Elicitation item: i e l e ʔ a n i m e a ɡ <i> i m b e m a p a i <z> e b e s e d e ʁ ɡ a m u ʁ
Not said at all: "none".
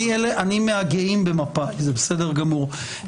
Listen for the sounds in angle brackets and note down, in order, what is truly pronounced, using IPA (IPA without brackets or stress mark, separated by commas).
e, z